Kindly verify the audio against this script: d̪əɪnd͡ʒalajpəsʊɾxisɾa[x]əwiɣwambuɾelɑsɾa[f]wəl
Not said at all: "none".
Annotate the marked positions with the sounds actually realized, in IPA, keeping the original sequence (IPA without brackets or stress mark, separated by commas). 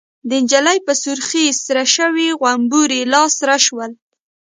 ʃ, ʃ